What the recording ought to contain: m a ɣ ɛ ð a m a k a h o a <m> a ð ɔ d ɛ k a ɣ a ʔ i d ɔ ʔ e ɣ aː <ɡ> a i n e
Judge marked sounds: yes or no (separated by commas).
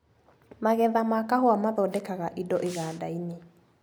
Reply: yes, no